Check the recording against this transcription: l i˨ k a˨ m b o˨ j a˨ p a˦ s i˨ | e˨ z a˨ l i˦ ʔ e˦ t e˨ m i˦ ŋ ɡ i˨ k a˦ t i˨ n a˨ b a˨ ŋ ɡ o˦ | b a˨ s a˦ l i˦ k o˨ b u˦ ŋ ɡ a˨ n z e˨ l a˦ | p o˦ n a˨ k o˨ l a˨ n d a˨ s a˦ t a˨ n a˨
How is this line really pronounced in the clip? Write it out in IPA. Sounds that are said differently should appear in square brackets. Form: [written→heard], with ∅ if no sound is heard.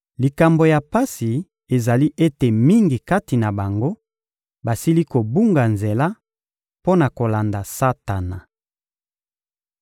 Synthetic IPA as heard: l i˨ k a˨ m b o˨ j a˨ p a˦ s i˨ | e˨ z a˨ l i˦ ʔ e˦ t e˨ m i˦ ŋ ɡ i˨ k a˦ t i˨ n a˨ b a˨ ŋ ɡ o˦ | b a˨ s [a˦→i˦] l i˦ k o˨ b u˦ ŋ ɡ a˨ n z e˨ l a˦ | p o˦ n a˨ k o˨ l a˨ n d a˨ s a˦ t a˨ n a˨